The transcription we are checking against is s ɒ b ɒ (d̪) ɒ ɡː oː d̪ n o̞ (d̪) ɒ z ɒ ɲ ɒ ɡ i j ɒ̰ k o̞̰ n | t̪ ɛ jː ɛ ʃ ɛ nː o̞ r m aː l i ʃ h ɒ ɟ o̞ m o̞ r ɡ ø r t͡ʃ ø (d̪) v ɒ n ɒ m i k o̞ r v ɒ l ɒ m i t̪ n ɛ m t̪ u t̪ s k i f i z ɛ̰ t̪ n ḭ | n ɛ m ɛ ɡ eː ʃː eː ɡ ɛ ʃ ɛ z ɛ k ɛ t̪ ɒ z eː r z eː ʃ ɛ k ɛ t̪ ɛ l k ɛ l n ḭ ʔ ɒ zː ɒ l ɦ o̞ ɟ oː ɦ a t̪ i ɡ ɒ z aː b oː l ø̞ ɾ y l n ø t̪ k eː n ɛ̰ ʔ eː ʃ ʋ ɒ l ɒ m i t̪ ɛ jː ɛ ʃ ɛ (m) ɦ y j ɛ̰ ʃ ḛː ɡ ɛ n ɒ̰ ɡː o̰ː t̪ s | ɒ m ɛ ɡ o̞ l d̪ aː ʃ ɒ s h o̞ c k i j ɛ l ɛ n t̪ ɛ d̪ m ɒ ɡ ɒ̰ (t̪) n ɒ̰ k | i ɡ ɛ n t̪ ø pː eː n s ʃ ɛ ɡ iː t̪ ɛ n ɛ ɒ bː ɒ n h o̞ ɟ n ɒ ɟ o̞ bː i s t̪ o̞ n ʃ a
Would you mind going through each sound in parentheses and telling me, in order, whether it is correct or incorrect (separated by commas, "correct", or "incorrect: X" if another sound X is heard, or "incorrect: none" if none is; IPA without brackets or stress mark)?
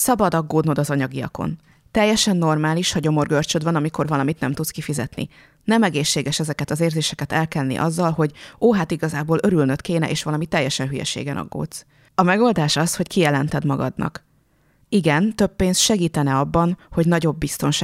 correct, correct, correct, incorrect: n, incorrect: d̪